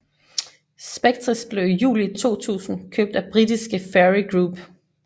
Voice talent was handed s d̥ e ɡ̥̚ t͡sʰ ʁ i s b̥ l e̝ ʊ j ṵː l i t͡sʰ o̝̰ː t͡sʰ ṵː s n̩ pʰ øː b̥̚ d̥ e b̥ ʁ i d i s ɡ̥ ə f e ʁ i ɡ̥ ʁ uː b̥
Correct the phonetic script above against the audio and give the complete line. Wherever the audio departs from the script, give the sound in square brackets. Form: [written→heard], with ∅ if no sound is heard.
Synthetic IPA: s [d̥→b̥] e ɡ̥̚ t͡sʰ ʁ i s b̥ l e̝ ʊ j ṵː l i t͡sʰ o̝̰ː t͡sʰ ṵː s n̩ [pʰ→kʰ] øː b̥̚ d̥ [e→æ] b̥ ʁ i d i s ɡ̥ ə f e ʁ i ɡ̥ ʁ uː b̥